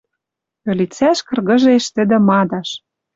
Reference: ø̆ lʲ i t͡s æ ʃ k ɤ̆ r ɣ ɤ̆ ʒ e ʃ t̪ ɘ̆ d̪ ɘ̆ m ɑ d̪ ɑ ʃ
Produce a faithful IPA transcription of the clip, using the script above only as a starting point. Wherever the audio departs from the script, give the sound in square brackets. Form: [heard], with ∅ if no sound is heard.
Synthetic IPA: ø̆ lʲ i t͡s æ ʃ k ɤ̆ r ɣ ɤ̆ ʒ e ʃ t̪ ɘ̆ d̪ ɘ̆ m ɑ d̪ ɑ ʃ